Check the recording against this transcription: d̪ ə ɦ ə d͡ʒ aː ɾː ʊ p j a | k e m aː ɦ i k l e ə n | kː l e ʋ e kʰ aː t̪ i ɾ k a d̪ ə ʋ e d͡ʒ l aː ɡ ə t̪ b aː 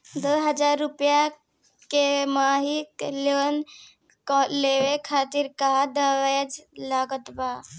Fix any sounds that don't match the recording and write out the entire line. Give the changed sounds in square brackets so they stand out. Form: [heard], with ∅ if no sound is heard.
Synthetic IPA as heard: d̪ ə ɦ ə d͡ʒ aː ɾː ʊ p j a | k e m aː ɦ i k l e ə n | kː l e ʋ e kʰ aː t̪ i ɾ k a d̪ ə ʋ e d͡ʒ l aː ɡ ə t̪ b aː

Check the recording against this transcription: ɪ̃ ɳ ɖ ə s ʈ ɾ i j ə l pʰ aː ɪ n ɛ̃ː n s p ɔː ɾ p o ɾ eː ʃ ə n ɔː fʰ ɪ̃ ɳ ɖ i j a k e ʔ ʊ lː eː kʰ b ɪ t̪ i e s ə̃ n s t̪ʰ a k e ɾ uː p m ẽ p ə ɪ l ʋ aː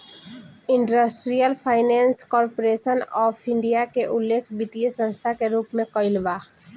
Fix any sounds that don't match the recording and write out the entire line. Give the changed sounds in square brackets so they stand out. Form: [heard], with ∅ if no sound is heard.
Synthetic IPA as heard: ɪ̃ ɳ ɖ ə s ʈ ɾ i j ə l pʰ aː ɪ n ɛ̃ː n s [k] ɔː ɾ p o ɾ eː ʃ ə n ɔː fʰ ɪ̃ ɳ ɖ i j a k e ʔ ʊ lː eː kʰ b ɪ t̪ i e s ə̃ n s t̪ʰ a k e ɾ uː p m ẽ [k] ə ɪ l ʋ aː

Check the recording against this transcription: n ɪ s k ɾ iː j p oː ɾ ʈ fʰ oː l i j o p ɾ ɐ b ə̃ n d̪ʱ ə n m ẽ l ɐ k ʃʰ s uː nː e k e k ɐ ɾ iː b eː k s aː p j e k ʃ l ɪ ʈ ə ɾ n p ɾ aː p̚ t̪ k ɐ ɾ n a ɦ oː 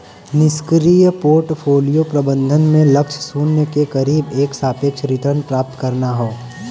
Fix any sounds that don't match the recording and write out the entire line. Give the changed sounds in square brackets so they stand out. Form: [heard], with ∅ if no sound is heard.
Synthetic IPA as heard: n ɪ s k ɾ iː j p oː ɾ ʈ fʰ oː l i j o p ɾ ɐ b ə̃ n d̪ʱ ə n m ẽ l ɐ k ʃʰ s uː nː e k e k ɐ ɾ iː b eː k s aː p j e k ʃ [ɾ] ɪ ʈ ə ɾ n p ɾ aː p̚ t̪ k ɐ ɾ n a ɦ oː

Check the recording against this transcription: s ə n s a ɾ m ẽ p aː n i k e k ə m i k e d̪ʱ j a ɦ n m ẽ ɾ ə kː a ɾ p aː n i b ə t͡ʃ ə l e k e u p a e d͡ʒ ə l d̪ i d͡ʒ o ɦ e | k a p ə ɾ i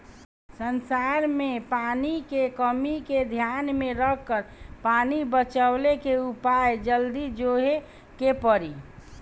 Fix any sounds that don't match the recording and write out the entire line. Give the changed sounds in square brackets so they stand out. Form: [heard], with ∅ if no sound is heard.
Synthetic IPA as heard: s ə n s a ɾ m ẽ p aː n i k e k ə m i k e d̪ʱ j a [∅] n m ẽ ɾ ə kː [ə] ɾ p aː n i b ə t͡ʃ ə l e k e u p a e d͡ʒ ə l d̪ i d͡ʒ o ɦ e | k [e] p ə ɾ i

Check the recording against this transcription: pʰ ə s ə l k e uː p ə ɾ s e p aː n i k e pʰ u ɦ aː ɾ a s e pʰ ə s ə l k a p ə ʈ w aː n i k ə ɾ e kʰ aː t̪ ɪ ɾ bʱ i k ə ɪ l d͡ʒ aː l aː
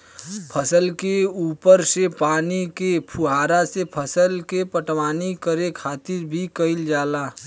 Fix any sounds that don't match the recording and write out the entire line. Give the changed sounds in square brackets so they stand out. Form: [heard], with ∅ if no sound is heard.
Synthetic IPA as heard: pʰ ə s ə l k e uː p ə ɾ s e p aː n i k e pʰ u ɦ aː ɾ a s e pʰ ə s ə l k [e] p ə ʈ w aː n i k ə ɾ e kʰ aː t̪ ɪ ɾ bʱ i k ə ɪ l d͡ʒ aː l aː

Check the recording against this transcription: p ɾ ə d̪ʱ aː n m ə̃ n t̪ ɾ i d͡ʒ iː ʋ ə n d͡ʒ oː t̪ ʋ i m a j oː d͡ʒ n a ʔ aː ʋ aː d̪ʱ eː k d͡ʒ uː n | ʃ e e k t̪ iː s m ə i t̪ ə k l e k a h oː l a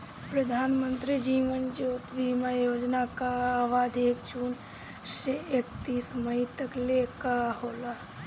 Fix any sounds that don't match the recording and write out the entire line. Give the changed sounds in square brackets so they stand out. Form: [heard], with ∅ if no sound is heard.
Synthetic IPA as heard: p ɾ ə d̪ʱ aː n m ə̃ n t̪ ɾ i d͡ʒ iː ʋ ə n d͡ʒ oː t̪ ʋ i m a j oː d͡ʒ n a [k] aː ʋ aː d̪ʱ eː k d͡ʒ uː n | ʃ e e k t̪ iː s m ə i t̪ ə k l e k a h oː l a

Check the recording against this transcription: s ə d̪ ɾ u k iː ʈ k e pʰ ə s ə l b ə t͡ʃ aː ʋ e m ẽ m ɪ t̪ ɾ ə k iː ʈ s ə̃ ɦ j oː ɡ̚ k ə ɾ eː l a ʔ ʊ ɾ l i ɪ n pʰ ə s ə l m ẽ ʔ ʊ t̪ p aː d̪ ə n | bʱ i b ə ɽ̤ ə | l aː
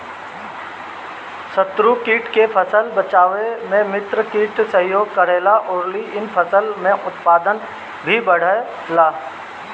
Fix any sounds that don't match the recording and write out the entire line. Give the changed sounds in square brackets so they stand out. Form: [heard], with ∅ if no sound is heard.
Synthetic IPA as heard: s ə [t̪] ɾ u k iː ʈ k e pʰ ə s ə l b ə t͡ʃ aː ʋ e m ẽ m ɪ t̪ ɾ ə k iː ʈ s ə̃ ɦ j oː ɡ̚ k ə ɾ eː l a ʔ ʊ ɾ l i ɪ n pʰ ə s ə l m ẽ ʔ ʊ t̪ p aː d̪ ə n | bʱ i b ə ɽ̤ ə | l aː

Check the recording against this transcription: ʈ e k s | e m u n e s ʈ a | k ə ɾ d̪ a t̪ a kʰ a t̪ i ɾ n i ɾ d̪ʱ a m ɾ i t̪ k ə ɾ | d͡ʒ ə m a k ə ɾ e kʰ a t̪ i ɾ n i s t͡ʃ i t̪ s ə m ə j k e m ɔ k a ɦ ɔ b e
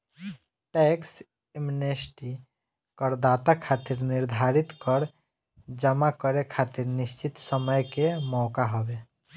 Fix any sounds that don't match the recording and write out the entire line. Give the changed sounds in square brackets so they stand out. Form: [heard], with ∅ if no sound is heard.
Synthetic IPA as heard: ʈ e k s | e m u n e s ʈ [i] | k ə ɾ d̪ a t̪ a kʰ a t̪ i ɾ n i ɾ d̪ʱ a [∅] ɾ i t̪ k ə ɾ | d͡ʒ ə m a k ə ɾ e kʰ a t̪ i ɾ n i s t͡ʃ i t̪ s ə m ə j k e m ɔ k a ɦ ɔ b e

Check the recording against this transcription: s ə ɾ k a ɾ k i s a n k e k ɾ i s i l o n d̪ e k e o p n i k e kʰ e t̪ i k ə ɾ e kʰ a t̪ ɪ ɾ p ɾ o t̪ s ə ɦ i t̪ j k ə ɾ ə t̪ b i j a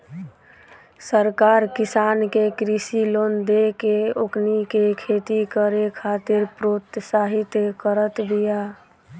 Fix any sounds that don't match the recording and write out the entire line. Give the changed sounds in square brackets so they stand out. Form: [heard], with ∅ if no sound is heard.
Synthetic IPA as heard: s ə ɾ k a ɾ k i s a n k e k ɾ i s i l o n d̪ e k e o [k] n i k e kʰ e t̪ i k ə ɾ e kʰ a t̪ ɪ ɾ p ɾ o t̪ s [a] ɦ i t̪ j k ə ɾ ə t̪ b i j a

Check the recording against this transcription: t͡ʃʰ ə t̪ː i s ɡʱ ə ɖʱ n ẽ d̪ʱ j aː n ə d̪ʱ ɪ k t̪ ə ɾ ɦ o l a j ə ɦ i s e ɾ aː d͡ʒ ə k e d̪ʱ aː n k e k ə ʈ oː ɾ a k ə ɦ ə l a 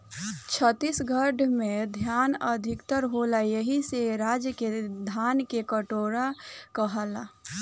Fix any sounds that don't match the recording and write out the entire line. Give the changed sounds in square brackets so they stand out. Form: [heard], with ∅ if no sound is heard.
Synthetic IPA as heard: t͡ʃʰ ə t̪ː i s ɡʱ ə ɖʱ [m] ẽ d̪ʱ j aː n ə d̪ʱ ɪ k t̪ ə ɾ ɦ o l a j ə ɦ i s e ɾ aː d͡ʒ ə k e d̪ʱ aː n k e k ə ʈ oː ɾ a k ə ɦ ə l a

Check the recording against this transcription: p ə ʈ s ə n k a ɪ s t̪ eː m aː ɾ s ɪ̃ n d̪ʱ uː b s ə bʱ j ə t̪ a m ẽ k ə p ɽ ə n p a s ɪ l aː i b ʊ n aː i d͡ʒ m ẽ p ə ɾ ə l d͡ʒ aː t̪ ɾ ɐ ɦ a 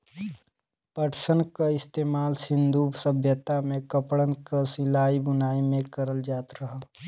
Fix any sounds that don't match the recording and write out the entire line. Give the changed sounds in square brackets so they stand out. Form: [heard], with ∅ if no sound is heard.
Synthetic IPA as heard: p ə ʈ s ə n k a ɪ s t̪ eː m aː [l] s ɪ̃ n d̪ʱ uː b s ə bʱ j ə t̪ a m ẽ k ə p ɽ ə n [k] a s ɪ l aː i b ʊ n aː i [∅] m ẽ [k] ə ɾ ə l d͡ʒ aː t̪ ɾ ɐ ɦ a

